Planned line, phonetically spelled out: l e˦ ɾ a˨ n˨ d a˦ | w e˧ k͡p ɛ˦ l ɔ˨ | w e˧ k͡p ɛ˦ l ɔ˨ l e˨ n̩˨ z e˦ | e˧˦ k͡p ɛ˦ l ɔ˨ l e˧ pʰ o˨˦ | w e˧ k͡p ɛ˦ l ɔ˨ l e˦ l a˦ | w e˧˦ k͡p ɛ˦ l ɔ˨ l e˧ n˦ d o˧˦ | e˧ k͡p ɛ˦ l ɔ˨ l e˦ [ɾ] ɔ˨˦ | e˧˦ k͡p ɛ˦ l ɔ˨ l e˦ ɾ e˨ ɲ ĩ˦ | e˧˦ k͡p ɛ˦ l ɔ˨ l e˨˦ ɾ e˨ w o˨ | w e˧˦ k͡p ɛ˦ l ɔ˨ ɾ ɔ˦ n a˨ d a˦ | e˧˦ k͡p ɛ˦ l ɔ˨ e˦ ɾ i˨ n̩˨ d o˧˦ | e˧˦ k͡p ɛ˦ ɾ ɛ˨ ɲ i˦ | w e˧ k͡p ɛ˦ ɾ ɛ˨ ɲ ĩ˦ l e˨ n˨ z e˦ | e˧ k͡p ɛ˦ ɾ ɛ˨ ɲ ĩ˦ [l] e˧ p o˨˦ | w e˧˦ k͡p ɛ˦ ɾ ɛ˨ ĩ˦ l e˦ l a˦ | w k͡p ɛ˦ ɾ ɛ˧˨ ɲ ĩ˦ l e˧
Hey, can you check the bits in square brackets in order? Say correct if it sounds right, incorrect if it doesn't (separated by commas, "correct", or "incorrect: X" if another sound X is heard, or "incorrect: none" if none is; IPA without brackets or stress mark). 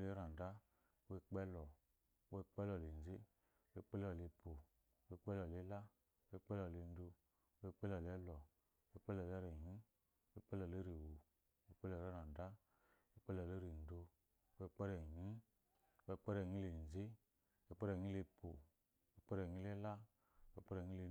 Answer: incorrect: l, correct